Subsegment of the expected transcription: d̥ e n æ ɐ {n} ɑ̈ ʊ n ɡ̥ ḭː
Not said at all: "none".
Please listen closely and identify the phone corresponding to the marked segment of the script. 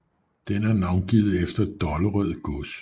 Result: n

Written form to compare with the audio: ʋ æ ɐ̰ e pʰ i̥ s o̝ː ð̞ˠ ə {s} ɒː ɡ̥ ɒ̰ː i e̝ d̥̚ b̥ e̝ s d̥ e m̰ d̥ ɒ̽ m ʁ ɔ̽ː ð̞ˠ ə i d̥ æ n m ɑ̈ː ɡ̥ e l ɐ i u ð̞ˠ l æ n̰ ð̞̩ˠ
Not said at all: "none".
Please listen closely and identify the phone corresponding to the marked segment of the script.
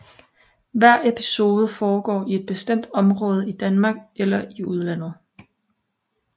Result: f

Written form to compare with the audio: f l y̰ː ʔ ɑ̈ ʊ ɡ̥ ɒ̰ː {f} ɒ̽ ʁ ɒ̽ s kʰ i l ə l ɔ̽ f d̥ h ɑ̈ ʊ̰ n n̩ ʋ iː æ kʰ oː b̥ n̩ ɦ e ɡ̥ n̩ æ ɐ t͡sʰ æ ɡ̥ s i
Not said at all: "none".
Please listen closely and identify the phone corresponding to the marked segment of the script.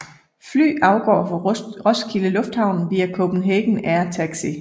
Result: f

